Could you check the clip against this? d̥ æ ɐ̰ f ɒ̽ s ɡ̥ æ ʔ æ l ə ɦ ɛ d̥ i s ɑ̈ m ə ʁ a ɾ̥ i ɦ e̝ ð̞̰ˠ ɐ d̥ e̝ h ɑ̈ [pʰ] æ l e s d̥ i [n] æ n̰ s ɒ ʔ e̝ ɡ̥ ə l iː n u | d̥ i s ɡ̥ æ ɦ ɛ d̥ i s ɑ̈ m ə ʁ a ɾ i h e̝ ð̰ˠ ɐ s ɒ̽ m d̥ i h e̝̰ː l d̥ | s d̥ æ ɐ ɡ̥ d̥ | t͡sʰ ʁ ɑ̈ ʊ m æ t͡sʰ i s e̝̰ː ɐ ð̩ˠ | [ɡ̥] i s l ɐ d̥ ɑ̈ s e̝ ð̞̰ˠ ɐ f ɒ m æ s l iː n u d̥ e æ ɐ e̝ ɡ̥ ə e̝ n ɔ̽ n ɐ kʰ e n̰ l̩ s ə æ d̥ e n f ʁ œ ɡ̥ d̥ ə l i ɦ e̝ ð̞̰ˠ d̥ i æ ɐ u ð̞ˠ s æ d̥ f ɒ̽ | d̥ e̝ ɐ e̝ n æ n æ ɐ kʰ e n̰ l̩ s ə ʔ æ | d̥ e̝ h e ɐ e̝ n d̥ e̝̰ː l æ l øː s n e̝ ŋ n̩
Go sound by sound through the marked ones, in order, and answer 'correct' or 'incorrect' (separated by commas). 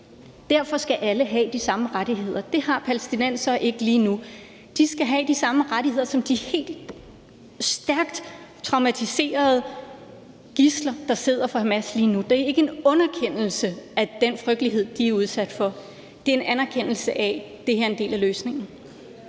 correct, correct, correct